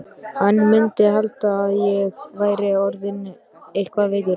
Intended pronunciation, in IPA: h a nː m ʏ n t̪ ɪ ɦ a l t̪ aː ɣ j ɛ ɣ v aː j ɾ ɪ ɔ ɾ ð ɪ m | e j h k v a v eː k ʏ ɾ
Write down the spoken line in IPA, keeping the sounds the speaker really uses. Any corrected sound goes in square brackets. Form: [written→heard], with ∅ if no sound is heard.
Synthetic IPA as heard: h a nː m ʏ n t̪ ɪ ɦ a l t̪ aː [ɣ→ð] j ɛ ɣ v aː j ɾ ɪ ɔ ɾ ð ɪ [m→n] | e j h k v a v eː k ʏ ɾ